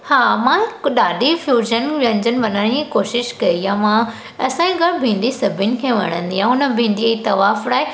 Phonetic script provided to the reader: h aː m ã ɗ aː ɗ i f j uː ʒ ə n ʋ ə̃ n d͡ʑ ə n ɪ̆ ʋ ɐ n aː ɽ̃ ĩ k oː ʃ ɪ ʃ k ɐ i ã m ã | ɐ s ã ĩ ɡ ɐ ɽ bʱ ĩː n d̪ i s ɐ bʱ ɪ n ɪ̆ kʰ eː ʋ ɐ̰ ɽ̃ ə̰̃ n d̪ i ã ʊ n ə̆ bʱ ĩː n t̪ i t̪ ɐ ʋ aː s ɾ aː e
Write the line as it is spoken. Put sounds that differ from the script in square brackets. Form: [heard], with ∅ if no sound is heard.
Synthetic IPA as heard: h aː m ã ɗ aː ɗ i f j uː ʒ ə n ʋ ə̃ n d͡ʑ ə n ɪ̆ ʋ ɐ n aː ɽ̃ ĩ k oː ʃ ɪ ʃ k ɐ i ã m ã | ɐ s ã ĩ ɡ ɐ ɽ bʱ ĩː n d̪ i s ɐ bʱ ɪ n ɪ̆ kʰ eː ʋ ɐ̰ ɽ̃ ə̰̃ n d̪ i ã ʊ n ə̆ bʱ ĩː n [d̪] i t̪ ɐ ʋ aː [f] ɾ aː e